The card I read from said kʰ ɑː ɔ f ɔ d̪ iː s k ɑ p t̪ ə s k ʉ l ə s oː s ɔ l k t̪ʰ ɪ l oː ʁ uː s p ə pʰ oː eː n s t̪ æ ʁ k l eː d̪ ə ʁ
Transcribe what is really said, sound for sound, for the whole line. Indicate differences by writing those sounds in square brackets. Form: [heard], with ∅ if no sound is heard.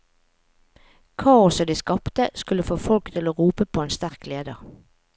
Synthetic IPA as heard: kʰ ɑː ɔ [s] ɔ d̪ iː s k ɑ p t̪ ə s k ʉ l ə [f] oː [f] ɔ l k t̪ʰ ɪ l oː ʁ uː [∅] p ə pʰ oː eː n s t̪ æ ʁ k l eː d̪ ə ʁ

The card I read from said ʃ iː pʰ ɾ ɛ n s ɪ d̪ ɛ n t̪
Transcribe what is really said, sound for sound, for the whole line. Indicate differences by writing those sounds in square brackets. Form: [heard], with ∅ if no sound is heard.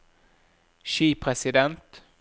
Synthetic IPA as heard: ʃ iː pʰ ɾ ɛ [∅] s ɪ d̪ ɛ n t̪

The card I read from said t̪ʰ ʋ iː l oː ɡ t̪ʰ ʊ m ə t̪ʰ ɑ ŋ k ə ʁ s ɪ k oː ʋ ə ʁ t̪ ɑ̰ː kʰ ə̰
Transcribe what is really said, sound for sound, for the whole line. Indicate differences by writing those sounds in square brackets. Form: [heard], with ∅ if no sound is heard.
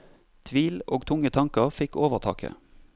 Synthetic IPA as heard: t̪ʰ ʋ iː l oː ɡ t̪ʰ ʊ [ŋ] ə t̪ʰ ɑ ŋ k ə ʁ [f] ɪ k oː ʋ ə ʁ [t̪ʰ] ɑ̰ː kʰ ə̰

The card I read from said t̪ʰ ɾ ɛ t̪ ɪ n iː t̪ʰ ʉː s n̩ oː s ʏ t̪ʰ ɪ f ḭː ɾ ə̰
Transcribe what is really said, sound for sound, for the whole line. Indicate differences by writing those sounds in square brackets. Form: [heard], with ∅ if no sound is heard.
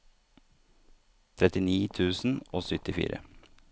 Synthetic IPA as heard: t̪ʰ ɾ ɛ t̪ ɪ n iː t̪ʰ ʉː s n̩ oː s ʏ [t̪] ɪ f ḭː ɾ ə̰

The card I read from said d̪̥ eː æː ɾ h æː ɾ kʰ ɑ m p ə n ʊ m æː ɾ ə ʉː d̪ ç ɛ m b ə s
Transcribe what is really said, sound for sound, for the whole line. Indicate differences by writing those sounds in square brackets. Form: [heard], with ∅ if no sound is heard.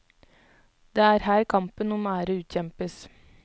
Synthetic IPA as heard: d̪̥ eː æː ɾ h æː ɾ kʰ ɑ m p ə n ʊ m æː ɾ ə ʉː [t̪] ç ɛ m [p] ə s

